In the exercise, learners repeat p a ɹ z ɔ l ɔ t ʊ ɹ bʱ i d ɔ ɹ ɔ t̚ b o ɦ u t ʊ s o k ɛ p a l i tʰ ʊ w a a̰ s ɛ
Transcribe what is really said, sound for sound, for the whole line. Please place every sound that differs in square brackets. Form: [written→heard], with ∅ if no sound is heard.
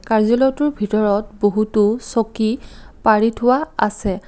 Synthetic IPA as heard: [p→k] a ɹ z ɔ l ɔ t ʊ ɹ bʱ i [d→t] ɔ ɹ ɔ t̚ b o ɦ u t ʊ s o k [ɛ→i] p a [l→ɹ] i tʰ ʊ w a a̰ s ɛ

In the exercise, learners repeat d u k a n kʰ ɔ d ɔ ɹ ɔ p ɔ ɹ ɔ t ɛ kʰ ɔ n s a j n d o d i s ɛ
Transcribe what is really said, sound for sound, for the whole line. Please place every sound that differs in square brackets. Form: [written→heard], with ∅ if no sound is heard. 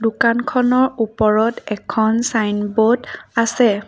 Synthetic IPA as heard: d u k a n kʰ ɔ [d→n] ɔ ɹ [ɔ→u] p ɔ ɹ ɔ t ɛ kʰ ɔ n s a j n [d→b] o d [i→a] s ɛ

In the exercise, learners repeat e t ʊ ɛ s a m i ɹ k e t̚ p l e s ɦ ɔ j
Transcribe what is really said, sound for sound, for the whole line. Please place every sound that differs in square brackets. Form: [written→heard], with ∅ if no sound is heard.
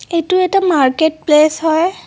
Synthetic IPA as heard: e t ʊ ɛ [s→t] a m [i→a] ɹ k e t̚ p l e s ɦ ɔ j

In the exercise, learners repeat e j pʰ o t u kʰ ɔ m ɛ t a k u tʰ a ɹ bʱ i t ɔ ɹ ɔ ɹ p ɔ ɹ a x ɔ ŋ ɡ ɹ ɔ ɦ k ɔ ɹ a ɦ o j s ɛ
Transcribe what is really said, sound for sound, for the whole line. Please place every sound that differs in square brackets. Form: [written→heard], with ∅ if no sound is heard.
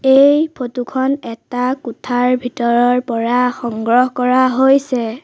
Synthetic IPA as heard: e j pʰ o t u kʰ ɔ [m→n] ɛ t a k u tʰ a ɹ bʱ i t ɔ ɹ ɔ ɹ p ɔ ɹ a x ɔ ŋ ɡ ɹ ɔ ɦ k ɔ ɹ a ɦ o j s ɛ

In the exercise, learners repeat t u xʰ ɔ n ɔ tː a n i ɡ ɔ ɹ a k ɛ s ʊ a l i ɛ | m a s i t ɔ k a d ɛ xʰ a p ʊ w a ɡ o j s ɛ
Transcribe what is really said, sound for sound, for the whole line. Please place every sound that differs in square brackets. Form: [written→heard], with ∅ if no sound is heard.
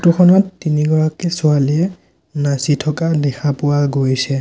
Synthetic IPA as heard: t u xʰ ɔ n ɔ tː [a→i] n i ɡ ɔ ɹ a k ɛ s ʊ a l i ɛ | [m→n] a s i [t→tʰ] ɔ k a d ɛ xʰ a p ʊ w a ɡ o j s ɛ

